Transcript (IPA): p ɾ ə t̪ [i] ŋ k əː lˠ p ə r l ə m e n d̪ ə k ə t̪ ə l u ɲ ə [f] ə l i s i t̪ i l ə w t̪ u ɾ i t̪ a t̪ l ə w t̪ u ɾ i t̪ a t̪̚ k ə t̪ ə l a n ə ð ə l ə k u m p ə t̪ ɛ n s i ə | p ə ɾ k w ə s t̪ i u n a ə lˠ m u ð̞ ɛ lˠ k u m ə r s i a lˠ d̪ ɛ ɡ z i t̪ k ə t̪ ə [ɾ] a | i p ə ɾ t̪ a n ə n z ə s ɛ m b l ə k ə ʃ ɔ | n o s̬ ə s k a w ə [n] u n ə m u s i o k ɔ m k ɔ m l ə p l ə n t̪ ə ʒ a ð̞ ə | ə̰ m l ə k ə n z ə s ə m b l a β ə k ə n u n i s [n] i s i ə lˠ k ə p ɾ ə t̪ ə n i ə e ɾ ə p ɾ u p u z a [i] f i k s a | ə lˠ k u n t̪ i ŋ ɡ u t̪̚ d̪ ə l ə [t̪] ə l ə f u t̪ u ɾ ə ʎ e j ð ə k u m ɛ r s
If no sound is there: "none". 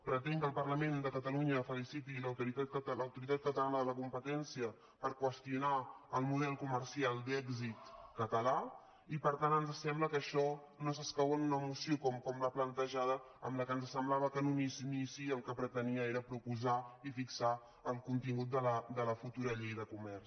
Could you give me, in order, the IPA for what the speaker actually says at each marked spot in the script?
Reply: ɛ, f, l, n, n, i, d̪

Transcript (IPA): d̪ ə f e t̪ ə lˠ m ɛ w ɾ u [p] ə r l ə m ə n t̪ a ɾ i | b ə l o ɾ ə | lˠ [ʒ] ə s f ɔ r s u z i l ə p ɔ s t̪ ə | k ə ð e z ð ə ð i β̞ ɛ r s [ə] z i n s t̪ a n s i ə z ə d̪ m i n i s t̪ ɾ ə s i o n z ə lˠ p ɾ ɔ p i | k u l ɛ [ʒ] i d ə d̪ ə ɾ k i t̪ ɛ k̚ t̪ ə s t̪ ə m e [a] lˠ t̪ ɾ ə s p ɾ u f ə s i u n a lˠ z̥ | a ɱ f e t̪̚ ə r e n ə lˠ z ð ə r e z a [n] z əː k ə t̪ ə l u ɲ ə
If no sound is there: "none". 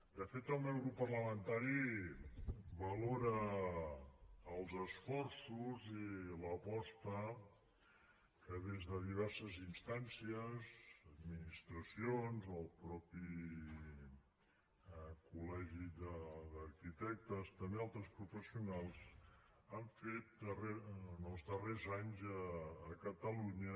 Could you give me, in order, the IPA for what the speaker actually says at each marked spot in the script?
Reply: p, z, ə, ʒ, a, ɲ

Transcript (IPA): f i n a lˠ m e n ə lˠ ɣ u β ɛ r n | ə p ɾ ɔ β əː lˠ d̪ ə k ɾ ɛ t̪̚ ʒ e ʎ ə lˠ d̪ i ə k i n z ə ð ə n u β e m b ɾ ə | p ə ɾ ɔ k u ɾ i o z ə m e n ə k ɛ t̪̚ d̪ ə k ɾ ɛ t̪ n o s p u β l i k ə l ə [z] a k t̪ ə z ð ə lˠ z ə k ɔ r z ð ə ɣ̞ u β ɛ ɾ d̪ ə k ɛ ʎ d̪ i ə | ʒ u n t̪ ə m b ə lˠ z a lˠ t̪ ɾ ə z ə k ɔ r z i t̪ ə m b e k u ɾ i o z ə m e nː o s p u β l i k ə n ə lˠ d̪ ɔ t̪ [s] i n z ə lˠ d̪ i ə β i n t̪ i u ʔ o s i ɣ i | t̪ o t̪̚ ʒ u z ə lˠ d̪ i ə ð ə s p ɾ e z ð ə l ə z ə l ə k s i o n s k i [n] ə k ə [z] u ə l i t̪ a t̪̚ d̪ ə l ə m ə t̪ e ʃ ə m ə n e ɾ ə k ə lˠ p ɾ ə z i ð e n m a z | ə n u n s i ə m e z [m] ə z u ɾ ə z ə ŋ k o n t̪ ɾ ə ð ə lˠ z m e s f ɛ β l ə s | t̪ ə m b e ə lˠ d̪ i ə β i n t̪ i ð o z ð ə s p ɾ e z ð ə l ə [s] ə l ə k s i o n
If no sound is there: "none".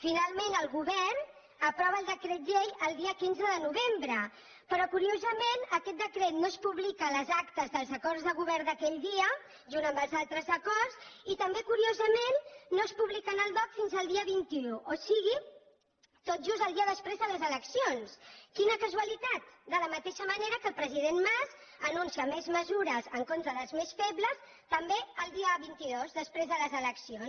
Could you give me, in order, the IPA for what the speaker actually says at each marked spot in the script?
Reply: z, f, n, z, m, z

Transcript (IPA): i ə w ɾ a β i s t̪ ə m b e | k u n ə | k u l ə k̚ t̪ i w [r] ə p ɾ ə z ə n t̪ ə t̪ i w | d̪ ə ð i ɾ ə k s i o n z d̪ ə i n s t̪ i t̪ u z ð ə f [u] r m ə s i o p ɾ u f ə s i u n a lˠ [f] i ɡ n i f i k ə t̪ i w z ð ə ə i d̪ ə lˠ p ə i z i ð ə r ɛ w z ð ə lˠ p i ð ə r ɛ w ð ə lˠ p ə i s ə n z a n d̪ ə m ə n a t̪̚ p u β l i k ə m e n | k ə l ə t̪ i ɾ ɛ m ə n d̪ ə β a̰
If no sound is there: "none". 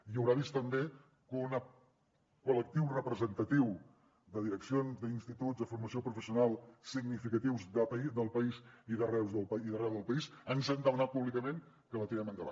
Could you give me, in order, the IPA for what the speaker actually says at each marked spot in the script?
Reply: r, u, s

